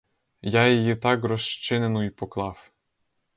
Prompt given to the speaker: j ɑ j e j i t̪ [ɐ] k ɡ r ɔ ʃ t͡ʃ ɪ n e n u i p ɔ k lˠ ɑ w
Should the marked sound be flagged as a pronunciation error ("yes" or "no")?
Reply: yes